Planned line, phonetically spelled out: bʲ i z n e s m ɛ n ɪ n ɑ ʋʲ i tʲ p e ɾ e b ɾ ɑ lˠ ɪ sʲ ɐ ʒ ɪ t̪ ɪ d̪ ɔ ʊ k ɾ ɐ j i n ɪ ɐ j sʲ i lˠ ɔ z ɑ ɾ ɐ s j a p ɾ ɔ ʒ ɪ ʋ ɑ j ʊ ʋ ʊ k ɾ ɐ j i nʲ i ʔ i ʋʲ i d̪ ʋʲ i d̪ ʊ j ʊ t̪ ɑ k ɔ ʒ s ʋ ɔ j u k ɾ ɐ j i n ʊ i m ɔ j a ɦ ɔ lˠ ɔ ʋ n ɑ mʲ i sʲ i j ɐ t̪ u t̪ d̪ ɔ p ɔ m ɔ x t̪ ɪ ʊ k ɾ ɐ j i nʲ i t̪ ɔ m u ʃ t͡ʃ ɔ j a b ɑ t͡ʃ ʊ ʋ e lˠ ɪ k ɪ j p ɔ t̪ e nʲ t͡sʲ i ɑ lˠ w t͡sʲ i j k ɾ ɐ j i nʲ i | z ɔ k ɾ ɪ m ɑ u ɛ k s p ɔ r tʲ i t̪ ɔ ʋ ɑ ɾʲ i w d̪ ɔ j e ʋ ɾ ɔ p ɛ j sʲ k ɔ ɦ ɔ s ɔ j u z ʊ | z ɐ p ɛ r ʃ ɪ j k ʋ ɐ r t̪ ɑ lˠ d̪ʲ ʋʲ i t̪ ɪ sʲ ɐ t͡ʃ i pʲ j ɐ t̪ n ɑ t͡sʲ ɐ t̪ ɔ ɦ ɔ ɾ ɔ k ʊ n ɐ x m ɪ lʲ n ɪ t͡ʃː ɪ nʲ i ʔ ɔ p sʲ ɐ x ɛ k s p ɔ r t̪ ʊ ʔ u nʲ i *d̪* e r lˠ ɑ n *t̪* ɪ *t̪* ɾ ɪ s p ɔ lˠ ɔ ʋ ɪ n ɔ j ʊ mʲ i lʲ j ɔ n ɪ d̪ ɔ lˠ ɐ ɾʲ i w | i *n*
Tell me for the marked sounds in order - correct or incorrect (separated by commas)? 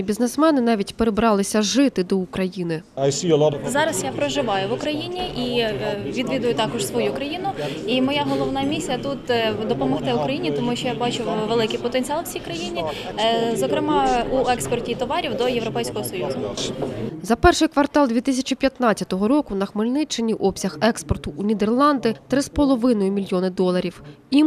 correct, incorrect, correct, incorrect